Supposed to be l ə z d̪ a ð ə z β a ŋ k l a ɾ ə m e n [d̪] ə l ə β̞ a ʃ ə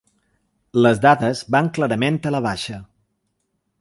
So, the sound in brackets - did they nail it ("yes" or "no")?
no